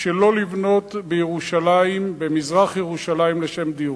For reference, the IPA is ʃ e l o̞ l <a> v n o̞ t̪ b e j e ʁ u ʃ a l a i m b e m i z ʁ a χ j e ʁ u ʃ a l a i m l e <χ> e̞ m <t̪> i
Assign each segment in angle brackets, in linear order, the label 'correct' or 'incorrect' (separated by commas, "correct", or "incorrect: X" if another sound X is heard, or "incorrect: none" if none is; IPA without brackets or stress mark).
incorrect: i, incorrect: ʃ, incorrect: d̪